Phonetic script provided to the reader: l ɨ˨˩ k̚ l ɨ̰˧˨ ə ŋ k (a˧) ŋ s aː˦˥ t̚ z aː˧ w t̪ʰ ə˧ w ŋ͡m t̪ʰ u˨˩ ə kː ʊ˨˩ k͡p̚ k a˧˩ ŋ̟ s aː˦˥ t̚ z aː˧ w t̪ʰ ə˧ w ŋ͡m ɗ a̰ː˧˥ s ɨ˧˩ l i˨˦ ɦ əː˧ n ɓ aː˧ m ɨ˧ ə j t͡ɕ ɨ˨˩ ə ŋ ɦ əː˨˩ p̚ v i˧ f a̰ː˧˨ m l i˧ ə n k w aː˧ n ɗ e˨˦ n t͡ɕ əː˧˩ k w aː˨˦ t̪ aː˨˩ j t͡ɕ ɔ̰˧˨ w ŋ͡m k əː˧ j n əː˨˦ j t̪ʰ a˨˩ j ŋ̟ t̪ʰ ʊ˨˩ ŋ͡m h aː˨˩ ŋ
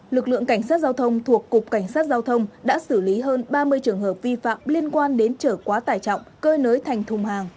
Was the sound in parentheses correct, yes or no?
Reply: no